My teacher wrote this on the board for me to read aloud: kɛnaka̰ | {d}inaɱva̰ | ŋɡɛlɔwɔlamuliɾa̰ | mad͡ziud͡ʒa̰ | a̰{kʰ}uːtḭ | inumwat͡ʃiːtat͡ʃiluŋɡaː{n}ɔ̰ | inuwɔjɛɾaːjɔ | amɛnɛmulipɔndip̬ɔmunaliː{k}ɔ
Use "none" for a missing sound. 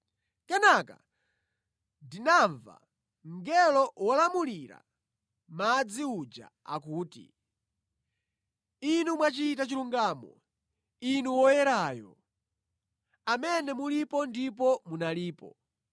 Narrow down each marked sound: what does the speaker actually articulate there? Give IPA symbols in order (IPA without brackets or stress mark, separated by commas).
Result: d, k, m, p